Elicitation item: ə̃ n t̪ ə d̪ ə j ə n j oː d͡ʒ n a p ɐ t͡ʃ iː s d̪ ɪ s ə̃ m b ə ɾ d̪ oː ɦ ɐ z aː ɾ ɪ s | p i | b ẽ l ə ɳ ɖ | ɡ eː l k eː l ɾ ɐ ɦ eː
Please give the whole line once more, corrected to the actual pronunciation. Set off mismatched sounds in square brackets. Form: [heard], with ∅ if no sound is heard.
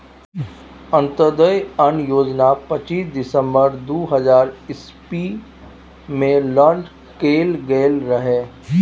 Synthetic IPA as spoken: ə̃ n t̪ ə d̪ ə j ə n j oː d͡ʒ n a p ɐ t͡ʃ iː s d̪ ɪ s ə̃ m b ə ɾ d̪ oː ɦ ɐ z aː ɾ ɪ s | p i | [m] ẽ l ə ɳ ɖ | [k] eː l [ɡ] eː l ɾ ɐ ɦ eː

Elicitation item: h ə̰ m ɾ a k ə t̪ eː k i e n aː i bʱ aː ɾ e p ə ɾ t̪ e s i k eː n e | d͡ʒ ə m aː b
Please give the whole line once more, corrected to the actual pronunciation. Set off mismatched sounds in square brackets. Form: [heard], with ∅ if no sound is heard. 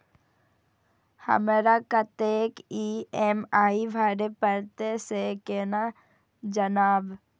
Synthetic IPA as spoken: h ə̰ m ɾ a k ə t̪ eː k i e [m] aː i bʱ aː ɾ e p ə ɾ t̪ e s [e] k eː n [a] | d͡ʒ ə [n] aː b

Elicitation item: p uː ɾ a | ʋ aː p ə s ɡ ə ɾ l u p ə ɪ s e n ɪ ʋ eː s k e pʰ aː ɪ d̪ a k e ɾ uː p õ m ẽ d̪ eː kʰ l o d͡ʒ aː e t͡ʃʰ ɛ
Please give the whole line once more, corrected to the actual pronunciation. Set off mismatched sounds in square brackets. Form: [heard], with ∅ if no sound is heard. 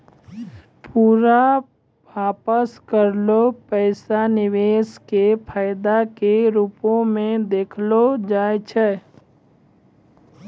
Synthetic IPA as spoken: p uː ɾ a | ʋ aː p ə s [k] ə ɾ l [o] p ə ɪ s [a] n ɪ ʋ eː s k e pʰ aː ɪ d̪ a k e ɾ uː p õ m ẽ d̪ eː kʰ l o d͡ʒ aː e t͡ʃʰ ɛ

